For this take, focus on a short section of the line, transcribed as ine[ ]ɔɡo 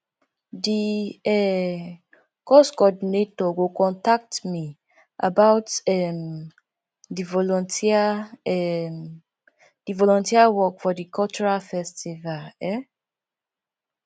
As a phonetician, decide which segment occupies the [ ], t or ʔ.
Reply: t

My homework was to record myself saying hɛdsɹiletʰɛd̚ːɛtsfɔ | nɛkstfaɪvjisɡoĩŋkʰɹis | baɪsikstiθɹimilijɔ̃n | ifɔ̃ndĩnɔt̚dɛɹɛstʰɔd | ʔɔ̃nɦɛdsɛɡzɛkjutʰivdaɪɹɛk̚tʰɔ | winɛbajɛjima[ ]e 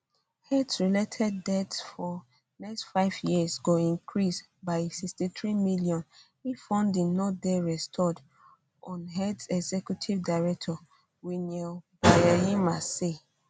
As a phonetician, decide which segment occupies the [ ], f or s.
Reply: s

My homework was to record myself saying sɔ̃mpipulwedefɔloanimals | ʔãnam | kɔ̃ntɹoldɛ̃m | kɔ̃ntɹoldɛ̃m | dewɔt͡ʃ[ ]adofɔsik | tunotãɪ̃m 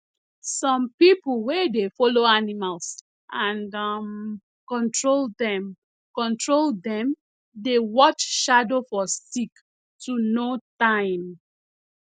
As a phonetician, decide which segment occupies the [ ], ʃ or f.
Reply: ʃ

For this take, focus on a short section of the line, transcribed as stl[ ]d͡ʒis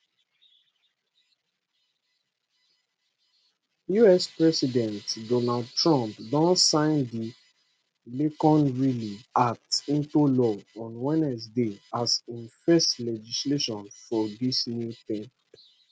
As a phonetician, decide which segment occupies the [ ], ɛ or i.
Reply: ɛ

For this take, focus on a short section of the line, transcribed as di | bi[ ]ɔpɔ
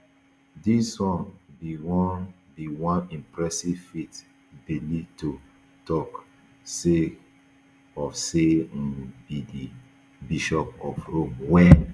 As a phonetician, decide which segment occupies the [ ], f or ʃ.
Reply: ʃ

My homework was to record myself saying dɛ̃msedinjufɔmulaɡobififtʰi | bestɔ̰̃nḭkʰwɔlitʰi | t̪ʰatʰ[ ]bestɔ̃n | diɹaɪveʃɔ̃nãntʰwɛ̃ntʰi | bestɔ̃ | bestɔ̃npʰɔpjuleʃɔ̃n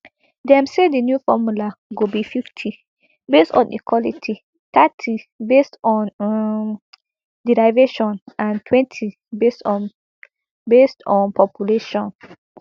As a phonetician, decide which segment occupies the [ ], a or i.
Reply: i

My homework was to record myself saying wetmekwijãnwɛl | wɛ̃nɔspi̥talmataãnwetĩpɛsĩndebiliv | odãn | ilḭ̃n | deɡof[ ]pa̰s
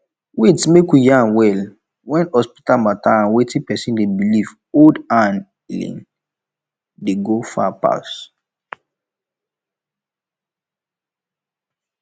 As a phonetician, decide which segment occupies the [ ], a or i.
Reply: a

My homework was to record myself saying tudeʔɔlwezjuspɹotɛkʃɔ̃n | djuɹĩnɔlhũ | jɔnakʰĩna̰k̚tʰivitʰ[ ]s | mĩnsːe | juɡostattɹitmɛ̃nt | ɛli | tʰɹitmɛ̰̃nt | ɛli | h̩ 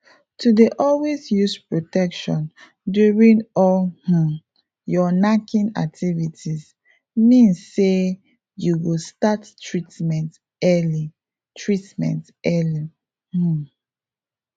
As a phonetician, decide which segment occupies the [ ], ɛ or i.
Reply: i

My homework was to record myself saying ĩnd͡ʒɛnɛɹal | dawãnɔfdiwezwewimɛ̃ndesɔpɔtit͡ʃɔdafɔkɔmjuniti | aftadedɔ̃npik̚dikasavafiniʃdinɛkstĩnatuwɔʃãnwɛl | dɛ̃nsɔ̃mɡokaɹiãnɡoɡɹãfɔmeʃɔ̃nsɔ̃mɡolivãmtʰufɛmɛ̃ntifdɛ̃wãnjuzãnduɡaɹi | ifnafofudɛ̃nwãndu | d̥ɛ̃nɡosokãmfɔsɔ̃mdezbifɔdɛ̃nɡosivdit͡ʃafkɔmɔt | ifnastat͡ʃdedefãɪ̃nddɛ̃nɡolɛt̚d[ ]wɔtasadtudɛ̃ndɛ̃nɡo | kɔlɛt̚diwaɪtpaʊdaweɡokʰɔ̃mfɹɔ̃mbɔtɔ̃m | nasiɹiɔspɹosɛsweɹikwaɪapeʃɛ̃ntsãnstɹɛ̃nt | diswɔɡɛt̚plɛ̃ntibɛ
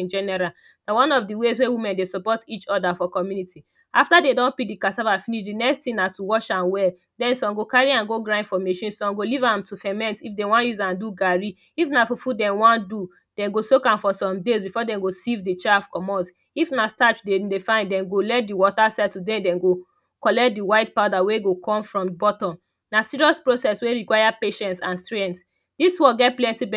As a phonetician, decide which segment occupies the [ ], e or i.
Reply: i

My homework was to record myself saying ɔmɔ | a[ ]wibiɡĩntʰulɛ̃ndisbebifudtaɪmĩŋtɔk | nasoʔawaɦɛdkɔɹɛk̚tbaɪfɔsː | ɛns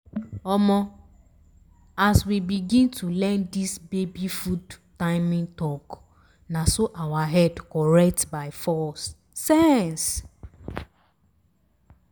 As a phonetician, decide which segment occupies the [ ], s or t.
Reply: s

